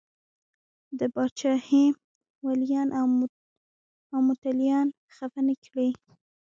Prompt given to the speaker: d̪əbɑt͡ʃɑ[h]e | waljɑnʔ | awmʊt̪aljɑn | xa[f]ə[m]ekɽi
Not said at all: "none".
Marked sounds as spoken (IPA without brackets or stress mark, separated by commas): h, f, n